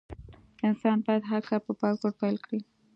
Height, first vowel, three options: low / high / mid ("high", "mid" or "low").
high